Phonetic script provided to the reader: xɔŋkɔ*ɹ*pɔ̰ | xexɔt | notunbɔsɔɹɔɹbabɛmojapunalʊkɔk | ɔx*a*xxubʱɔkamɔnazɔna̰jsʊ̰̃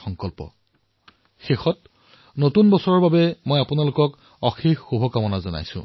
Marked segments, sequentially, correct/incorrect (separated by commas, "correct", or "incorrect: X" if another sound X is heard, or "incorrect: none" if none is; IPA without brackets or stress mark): incorrect: l, incorrect: i